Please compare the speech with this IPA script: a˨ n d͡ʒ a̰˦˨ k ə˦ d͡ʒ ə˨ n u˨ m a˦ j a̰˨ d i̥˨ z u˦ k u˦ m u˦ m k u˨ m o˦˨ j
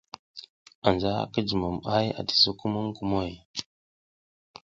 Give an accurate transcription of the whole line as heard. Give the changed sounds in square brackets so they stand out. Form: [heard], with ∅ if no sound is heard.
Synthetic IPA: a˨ n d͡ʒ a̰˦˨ k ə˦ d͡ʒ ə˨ [m] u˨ m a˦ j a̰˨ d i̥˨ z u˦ k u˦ m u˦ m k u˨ m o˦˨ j